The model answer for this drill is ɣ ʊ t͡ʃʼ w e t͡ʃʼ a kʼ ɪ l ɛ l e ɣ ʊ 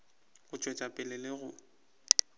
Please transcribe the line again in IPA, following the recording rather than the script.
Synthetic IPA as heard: ɣ ʊ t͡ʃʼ w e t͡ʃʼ a pʼ ɪ l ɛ l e ɣ ʊ